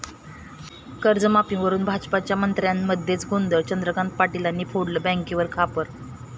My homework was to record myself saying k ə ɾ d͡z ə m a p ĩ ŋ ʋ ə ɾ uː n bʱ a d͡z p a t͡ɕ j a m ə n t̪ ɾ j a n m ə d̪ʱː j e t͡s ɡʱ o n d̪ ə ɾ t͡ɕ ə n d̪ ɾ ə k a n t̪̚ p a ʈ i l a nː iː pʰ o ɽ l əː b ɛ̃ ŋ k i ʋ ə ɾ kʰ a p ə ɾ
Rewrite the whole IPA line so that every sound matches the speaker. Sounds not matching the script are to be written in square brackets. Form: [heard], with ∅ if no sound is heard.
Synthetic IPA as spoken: k ə ɾ d͡z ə m a p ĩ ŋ ʋ ə ɾ uː n bʱ a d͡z p a t͡ɕ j a m ə n t̪ ɾ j a n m ə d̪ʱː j e t͡s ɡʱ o n d̪ ə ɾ t͡ɕ ə n d̪ ɾ ə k a n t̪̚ p a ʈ i l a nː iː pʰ o ɽ l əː b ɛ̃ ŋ k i ʋ ə ɾ kʰ a p ə ɾ